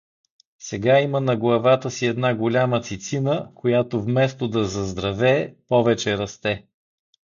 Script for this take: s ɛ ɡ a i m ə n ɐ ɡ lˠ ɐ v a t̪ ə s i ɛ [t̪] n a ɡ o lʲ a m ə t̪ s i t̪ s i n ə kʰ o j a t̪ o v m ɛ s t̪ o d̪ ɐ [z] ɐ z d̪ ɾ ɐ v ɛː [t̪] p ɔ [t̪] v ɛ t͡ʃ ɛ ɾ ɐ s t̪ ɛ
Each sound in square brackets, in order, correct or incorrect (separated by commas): incorrect, correct, incorrect, incorrect